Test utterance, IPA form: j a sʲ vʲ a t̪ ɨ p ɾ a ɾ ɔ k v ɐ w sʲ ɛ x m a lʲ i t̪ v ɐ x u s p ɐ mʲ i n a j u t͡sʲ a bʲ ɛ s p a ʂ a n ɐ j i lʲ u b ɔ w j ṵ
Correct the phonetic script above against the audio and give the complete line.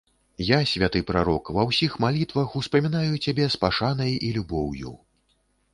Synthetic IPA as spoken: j a sʲ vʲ a t̪ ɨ p ɾ a ɾ ɔ k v ɐ w sʲ i x m a lʲ i t̪ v ɐ x u s p ɐ mʲ i n a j u t͡sʲ a bʲ ɛ s p a ʂ a n ɐ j i lʲ u b ɔ w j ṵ

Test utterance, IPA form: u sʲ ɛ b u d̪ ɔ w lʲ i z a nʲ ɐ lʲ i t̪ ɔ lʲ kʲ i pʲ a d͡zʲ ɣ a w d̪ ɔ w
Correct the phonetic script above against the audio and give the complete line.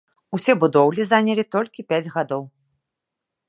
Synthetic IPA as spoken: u sʲ ɛ b u d̪ ɔ w lʲ i z a nʲ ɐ lʲ i t̪ ɔ lʲ kʲ i pʲ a d͡zʲ ɣ a d̪ ɔ w

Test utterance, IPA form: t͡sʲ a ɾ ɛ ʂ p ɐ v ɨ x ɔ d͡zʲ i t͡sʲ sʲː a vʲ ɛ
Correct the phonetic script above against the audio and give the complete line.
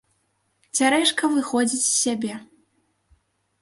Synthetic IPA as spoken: t͡sʲ a ɾ ɛ ʂ k ɐ v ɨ x ɔ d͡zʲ i t͡sʲ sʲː a bʲ ɛ

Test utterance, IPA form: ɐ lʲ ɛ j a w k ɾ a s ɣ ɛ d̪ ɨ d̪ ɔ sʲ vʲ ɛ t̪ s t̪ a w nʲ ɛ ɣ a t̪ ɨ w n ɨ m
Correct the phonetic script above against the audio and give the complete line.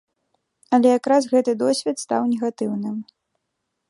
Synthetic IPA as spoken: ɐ lʲ ɛ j a k ɾ a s ɣ ɛ t̪ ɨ d̪ ɔ sʲ vʲ ɛ t̪ s t̪ a w nʲ ɛ ɣ a t̪ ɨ w n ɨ m

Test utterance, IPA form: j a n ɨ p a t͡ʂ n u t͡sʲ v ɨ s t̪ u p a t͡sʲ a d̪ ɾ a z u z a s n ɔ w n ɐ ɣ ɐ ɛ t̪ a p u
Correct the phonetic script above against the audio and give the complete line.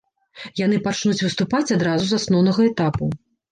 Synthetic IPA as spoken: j a n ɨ p a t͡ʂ n u t͡sʲ v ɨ s t̪ u p a t͡sʲ a d̪ ɾ a z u z a s n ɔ w n ɐ ɣ ɐ ɛ t̪ a p u

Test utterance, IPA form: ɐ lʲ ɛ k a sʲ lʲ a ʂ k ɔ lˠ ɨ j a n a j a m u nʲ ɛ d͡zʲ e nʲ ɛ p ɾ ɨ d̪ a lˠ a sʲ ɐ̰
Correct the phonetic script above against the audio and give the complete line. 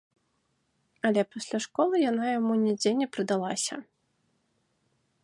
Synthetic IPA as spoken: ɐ lʲ ɛ p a sʲ lʲ a ʂ k ɔ lˠ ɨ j a n a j a m u nʲ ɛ d͡zʲ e nʲ ɛ p ɾ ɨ d̪ a lˠ a sʲ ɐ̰

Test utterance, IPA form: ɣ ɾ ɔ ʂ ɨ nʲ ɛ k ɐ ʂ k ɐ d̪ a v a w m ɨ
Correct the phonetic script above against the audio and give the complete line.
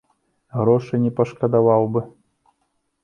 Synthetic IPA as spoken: ɣ ɾ ɔ ʂ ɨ nʲ ɛ p ɐ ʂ k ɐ d̪ a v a w b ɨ

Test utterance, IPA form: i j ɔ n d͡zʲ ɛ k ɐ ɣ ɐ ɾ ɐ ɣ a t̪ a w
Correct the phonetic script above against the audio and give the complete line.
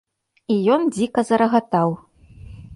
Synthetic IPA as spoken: i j ɔ n d͡zʲ i k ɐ z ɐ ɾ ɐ ɣ a t̪ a w

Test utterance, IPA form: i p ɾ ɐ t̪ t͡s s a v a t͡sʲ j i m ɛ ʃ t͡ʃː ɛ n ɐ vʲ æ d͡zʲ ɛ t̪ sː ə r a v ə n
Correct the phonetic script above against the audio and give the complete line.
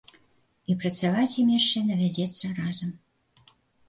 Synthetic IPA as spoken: i p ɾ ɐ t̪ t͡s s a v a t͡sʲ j i m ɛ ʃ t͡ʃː ɛ n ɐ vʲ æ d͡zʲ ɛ t̪ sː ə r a z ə m

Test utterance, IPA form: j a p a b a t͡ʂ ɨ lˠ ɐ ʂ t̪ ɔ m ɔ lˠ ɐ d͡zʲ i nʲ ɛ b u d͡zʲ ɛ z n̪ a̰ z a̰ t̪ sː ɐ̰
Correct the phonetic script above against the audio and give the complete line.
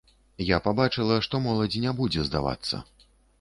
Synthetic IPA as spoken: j a p a b a t͡ʂ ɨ lˠ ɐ ʂ t̪ ɔ m ɔ lˠ ɐ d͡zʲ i nʲ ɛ b u d͡zʲ ɛ z d̪ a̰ v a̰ t̪ sː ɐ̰

